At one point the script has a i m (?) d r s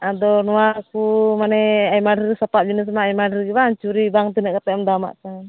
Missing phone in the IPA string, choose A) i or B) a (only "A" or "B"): B